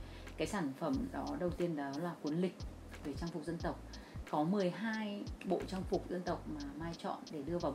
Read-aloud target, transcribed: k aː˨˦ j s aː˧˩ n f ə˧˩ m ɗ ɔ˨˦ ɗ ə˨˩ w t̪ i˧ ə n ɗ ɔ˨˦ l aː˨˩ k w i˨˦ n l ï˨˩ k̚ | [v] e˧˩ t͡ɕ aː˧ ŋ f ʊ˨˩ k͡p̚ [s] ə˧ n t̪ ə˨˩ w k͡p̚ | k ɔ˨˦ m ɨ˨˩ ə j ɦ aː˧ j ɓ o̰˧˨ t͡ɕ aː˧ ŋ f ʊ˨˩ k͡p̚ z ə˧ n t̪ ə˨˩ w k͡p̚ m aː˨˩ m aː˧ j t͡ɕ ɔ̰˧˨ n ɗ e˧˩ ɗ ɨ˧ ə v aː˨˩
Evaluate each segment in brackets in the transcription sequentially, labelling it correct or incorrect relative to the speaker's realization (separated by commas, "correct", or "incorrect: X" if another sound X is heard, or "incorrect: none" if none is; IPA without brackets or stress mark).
correct, incorrect: z